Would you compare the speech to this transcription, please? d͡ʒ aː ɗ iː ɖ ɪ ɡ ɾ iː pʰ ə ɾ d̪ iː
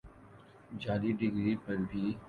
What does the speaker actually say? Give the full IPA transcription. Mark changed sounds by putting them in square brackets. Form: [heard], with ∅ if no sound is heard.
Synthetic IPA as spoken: d͡ʒ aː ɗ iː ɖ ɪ ɡ ɾ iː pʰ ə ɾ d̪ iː